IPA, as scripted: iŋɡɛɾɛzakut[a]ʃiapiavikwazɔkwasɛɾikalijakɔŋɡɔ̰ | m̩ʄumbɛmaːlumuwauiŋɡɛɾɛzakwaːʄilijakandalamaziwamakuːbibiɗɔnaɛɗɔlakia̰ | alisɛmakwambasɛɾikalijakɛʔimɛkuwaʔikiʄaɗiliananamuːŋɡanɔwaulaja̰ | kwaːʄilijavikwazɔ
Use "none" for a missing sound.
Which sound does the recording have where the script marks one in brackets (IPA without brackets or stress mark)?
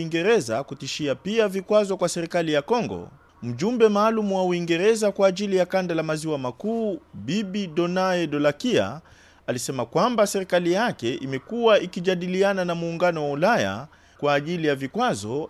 i